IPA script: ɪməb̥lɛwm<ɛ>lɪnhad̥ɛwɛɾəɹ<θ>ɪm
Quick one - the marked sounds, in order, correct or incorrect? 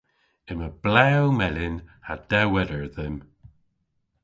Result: correct, incorrect: ð

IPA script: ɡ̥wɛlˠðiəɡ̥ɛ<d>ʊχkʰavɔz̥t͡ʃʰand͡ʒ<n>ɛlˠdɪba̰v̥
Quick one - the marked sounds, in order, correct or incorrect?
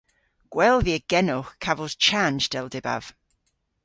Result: incorrect: n, incorrect: d

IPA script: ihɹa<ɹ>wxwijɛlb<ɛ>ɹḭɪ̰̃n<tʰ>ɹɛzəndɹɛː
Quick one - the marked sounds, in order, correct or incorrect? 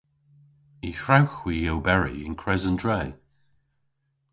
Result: incorrect: none, correct, incorrect: kʰ

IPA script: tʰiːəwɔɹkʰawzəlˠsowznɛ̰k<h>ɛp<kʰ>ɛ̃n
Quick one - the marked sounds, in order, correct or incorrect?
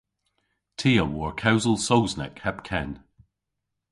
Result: correct, correct

